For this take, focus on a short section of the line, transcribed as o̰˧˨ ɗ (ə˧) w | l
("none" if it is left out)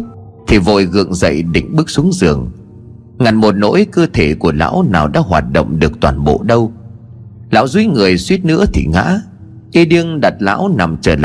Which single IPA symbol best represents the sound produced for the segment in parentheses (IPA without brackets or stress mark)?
ə˧